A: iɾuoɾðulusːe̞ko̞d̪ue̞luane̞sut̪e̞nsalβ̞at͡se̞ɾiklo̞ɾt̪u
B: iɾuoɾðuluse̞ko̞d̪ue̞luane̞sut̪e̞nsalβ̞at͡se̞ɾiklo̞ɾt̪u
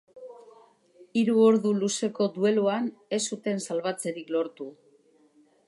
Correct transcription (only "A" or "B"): B